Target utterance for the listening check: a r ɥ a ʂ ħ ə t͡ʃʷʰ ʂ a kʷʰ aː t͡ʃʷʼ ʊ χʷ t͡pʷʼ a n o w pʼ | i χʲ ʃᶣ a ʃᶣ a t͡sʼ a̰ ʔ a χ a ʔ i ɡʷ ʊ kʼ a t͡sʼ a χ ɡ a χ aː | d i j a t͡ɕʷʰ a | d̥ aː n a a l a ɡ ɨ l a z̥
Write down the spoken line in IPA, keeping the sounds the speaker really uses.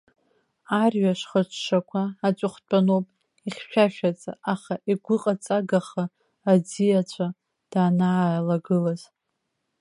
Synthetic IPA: a r ɥ a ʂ χ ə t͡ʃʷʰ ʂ a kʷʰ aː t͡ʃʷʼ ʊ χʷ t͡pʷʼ a n o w pʼ | i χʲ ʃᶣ a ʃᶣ a t͡sʼ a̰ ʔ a χ a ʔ i ɡʷ ʊ qʼ a t͡sʼ a ɡ a χ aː | d͡z i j a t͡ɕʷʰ a | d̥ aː n a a l a ɡ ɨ l a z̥